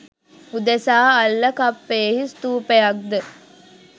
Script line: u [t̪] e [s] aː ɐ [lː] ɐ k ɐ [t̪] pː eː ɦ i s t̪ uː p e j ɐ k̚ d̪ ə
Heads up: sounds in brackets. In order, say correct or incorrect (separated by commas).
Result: incorrect, correct, correct, incorrect